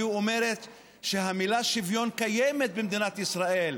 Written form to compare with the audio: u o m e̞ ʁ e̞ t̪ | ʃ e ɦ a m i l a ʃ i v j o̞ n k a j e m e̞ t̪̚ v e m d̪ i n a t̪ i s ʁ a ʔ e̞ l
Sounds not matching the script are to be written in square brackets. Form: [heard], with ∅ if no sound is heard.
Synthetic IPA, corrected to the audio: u o m e̞ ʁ e̞ t̪ | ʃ e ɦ a m i l a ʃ i v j o̞ n k a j e m e̞ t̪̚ [b] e m d̪ i n a t̪ i s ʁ a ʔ e̞ l